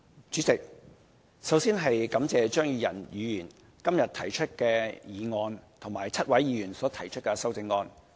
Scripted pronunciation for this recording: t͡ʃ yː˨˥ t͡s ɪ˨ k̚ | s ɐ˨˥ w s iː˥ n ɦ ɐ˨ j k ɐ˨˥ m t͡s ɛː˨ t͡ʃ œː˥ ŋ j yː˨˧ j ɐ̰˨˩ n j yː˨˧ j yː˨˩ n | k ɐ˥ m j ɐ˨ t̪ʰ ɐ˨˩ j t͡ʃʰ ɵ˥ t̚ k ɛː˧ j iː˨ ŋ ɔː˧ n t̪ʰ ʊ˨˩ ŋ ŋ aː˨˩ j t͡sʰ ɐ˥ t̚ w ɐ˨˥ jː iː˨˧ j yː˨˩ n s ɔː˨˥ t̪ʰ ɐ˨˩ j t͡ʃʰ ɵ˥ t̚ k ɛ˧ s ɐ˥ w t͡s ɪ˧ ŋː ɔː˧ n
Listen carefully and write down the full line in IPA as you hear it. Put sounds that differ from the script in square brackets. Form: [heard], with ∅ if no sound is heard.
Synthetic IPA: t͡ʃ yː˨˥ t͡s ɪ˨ k̚ | s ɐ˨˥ w s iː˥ n ɦ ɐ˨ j k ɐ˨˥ m t͡s ɛː˨ t͡ʃ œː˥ ŋ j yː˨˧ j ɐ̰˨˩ n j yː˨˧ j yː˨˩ n | k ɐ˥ m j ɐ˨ t̪ʰ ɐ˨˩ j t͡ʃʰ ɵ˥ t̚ k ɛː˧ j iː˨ ŋ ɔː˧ n t̪ʰ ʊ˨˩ ŋ [m] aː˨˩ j t͡sʰ ɐ˥ t̚ w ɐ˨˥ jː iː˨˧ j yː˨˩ n s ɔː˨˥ t̪ʰ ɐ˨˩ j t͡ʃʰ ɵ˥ t̚ k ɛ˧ s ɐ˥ w t͡s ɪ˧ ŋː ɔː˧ n